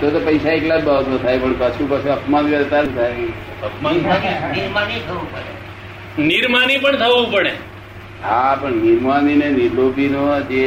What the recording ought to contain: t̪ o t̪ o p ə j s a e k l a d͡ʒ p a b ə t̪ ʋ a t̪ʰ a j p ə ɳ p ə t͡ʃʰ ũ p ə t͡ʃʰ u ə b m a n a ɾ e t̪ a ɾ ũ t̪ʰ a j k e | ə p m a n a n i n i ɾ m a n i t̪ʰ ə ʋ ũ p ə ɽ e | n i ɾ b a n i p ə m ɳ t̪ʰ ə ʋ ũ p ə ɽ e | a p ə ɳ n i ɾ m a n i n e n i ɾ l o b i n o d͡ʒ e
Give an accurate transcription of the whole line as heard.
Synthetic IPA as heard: t̪ o t̪ o p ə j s a e k l a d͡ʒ b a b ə t̪ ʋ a t̪ʰ a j p ə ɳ p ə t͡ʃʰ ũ p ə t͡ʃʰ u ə p m a n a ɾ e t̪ a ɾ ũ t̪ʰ a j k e | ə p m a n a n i n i ɾ m a n i t̪ʰ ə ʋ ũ p ə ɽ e | n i ɾ m a n i p ə ɳ t̪ʰ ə ʋ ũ p ə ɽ e | a p ə ɳ n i ɾ m a n i n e n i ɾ l o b i n o d͡ʒ e